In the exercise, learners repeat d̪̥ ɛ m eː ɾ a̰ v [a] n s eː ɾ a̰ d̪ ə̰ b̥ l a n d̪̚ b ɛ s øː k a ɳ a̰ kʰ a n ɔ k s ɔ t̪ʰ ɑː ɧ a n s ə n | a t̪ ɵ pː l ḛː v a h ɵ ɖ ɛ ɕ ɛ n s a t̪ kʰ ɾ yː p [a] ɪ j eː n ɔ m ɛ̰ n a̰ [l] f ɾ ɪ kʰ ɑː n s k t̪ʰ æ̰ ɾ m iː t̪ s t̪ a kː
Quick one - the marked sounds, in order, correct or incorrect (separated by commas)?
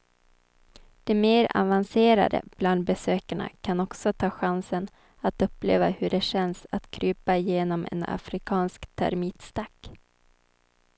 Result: correct, correct, incorrect